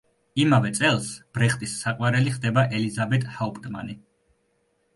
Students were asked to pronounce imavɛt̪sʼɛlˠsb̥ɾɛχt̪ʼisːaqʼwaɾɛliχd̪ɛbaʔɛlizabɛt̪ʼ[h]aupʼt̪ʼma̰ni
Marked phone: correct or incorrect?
correct